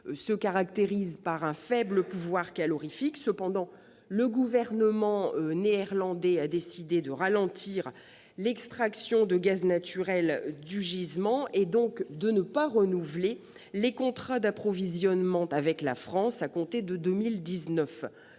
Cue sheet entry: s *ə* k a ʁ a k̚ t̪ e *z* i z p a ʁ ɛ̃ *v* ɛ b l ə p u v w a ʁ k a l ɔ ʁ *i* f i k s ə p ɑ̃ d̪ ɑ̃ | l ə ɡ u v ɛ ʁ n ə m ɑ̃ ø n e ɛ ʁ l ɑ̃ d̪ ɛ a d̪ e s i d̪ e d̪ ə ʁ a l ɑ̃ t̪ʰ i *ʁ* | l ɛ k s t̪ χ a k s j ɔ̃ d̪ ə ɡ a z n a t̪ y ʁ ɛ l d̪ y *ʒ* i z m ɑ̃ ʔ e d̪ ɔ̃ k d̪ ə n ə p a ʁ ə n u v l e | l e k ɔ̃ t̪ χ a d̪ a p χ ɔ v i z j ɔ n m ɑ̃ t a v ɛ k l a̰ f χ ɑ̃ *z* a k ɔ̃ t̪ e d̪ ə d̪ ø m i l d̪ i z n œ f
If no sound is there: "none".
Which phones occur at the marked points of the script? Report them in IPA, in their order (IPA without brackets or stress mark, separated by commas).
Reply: ə, ʁ, f, i, ʁ, ʒ, s